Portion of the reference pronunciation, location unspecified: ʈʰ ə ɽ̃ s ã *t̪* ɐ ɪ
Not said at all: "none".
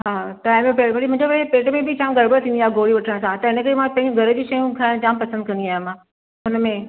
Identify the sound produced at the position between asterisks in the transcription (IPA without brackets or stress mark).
t̪